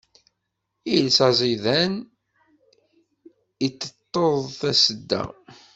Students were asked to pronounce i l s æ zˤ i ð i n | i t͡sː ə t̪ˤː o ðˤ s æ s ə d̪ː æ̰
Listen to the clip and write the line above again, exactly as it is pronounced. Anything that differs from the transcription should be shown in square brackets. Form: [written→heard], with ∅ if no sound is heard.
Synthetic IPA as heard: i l s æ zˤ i ð [i→æ] n | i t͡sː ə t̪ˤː o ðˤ [s→θ] æ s ə d̪ː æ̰